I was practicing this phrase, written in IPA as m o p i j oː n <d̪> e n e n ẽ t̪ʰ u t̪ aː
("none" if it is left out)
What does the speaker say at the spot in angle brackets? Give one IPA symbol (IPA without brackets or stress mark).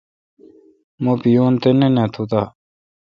t̪